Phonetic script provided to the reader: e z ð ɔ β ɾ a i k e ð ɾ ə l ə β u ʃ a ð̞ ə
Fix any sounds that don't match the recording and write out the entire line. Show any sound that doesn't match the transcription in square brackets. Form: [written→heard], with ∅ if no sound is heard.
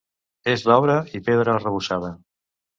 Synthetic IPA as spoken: e z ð ɔ β ɾ [a→ə] i [k→p] e ð ɾ ə [l→r] ə β u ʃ a ð̞ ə